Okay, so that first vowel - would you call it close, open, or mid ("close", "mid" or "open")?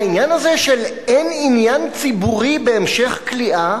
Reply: close